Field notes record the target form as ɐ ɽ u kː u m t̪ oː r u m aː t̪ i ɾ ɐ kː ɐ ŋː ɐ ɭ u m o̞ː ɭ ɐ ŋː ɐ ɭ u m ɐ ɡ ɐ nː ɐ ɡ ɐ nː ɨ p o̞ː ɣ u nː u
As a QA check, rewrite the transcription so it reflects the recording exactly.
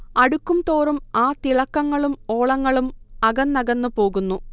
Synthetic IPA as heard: ɐ ɽ u kː u m t̪ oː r u m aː t̪ i ɭ ɐ kː ɐ ŋː ɐ ɭ u m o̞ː ɭ ɐ ŋː ɐ ɭ u m ɐ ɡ ɐ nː ɐ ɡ ɐ nː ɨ p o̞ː ɣ u nː u

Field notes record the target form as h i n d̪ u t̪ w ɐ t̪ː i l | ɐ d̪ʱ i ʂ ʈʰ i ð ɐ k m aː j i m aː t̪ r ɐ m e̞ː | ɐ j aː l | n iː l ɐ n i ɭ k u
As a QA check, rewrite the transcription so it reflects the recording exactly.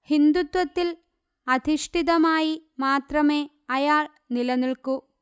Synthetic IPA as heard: h i n d̪ u t̪ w ɐ t̪ː i l | ɐ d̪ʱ i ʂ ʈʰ i ð ɐ m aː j i m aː t̪ r ɐ m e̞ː | ɐ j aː ɭ | n i l ɐ n i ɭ k u

